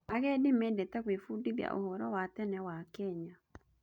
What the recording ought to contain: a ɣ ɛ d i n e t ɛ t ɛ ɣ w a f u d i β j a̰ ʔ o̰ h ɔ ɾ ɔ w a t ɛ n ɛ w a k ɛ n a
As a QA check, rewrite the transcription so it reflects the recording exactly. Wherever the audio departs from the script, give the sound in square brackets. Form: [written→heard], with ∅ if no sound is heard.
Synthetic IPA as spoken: a ɣ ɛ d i [n→m] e [t→d] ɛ t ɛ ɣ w [a→e] f u d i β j a̰ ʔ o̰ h ɔ ɾ ɔ w a t ɛ n ɛ w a k ɛ [n→ɲ] a